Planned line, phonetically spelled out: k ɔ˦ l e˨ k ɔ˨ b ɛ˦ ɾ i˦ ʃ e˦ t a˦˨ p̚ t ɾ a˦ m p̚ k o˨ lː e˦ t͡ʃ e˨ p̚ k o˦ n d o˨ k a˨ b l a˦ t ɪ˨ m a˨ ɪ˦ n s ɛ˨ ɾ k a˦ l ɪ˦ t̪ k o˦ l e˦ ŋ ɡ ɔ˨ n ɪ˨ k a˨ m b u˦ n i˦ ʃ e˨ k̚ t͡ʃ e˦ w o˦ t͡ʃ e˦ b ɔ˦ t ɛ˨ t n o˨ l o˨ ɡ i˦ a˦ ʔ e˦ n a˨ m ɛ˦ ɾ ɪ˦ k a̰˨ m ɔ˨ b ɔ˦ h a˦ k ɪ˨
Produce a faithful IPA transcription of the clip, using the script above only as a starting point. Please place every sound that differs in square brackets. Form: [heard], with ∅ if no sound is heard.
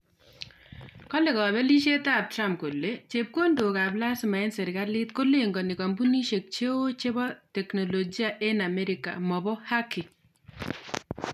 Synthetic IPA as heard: k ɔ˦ l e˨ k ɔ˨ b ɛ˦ [l] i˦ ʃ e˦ t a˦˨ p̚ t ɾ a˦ m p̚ k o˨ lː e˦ t͡ʃ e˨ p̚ k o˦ n d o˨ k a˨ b l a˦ [s] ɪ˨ m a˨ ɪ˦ n s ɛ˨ ɾ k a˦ l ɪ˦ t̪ k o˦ l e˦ ŋ ɡ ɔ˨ n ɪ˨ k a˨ m b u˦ n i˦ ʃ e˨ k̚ t͡ʃ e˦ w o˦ t͡ʃ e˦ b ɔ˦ t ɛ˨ [k] n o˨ l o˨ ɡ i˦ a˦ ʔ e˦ n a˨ m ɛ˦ ɾ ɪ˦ k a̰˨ m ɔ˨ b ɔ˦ h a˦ k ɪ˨